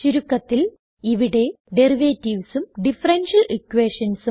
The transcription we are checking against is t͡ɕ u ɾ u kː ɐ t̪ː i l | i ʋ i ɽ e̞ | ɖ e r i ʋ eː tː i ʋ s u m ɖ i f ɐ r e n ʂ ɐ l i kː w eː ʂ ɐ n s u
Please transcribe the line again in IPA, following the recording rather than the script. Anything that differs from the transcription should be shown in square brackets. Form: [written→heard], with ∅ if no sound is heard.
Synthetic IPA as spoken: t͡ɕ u ɾ u kː ɐ t̪ː i l | i ʋ i ɽ e̞ | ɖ e r i ʋ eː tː i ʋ s u m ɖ i f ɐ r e n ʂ ɐ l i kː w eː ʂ ɐ n s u